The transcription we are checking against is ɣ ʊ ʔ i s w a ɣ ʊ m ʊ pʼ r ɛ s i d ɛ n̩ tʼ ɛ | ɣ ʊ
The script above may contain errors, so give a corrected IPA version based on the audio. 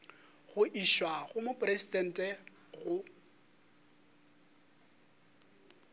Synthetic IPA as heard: ɣ ʊ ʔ i ʃ w a ɣ ʊ m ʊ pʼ r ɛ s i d ɛ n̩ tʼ ɛ | ɣ ʊ